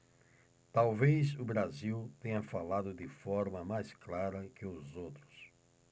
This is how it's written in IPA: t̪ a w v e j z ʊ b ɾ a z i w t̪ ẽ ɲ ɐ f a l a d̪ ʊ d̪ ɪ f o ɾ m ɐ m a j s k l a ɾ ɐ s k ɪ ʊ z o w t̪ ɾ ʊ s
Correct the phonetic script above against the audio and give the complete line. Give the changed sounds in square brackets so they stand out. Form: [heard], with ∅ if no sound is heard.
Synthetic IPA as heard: t̪ a w v e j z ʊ b ɾ a z i w t̪ ẽ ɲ ɐ f a l a d̪ ʊ d̪ ɪ f [ɔ] ɾ m ɐ m a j s k l a ɾ ɐ [∅] k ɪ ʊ z o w t̪ ɾ ʊ s